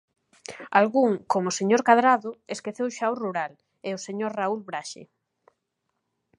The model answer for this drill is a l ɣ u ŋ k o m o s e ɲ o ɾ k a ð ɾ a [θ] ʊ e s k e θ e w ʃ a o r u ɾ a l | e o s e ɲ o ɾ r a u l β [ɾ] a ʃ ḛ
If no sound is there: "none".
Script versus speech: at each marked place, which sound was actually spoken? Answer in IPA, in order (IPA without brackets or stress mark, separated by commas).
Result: ð, ɾ